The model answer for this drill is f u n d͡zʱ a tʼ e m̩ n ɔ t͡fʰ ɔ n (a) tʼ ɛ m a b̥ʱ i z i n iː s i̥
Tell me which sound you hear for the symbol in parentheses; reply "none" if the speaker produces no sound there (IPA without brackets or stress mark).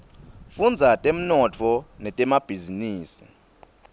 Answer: ɛ